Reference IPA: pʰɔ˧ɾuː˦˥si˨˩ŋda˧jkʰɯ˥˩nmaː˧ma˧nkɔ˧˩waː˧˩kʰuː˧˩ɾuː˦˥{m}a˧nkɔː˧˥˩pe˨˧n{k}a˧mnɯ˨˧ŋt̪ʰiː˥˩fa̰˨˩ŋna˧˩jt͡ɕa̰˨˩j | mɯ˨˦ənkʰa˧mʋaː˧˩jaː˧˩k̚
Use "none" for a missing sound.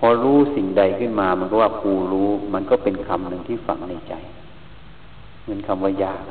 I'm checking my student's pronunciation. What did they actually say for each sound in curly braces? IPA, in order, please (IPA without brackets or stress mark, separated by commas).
m, kʰ